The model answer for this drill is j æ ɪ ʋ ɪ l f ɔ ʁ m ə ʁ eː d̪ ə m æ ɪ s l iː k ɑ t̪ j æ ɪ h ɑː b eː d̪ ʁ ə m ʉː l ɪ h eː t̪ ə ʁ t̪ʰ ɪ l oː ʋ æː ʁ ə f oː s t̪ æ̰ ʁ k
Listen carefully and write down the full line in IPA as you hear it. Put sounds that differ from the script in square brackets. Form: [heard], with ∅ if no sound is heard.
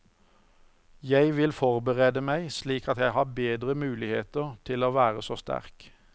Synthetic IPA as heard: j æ ɪ ʋ ɪ l f ɔ ʁ [b] ə ʁ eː d̪ ə m æ ɪ s l iː k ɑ t̪ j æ ɪ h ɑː b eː d̪ ʁ ə m ʉː l ɪ h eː t̪ ə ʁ t̪ʰ ɪ l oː ʋ æː ʁ ə [s] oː s t̪ æ̰ ʁ k